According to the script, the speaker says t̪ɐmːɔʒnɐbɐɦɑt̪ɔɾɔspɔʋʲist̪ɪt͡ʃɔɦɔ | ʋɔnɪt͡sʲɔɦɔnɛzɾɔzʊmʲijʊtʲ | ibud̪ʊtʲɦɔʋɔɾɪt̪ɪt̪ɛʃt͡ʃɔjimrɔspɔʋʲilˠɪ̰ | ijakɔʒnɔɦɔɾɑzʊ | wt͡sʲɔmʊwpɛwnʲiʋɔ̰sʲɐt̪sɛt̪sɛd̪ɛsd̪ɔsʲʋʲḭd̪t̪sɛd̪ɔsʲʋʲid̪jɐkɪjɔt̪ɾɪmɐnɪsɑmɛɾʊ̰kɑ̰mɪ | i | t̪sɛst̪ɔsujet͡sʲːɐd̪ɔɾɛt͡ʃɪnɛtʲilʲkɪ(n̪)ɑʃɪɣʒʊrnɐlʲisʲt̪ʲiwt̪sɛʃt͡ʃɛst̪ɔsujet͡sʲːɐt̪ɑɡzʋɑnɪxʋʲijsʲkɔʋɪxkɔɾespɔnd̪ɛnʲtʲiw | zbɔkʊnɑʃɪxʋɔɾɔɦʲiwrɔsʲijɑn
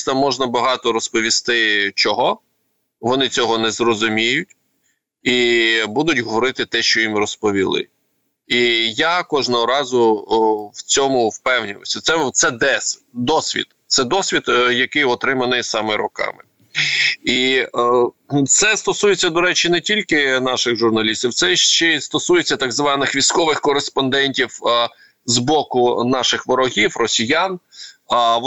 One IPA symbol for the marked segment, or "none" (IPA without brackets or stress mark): n̪